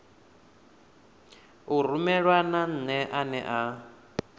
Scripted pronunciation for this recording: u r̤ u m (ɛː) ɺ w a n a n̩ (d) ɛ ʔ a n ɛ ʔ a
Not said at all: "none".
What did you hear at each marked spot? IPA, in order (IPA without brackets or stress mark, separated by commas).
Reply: ɛ, n